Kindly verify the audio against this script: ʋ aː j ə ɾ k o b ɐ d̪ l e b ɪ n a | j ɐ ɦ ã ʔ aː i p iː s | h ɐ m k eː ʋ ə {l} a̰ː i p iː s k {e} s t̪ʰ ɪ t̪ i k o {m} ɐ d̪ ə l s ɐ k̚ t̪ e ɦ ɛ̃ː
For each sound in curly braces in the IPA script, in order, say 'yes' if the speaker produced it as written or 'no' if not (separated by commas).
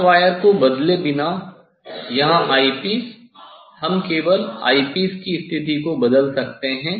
yes, no, no